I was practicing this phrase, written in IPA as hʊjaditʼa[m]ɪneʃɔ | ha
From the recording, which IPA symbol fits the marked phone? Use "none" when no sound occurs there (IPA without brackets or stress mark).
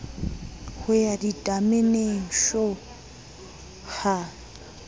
m